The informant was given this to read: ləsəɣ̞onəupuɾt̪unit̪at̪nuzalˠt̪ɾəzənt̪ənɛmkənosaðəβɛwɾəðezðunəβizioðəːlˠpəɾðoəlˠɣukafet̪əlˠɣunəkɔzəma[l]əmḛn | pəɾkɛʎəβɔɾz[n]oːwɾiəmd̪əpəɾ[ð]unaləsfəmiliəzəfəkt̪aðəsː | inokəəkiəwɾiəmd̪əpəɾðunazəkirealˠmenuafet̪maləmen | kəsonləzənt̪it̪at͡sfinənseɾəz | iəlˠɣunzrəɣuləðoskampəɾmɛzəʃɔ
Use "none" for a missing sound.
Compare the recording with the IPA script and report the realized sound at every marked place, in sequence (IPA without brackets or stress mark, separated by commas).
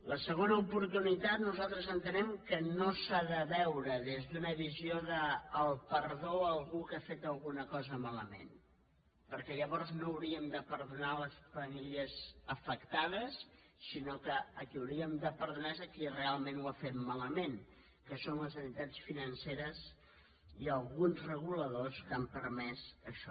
l, n, ð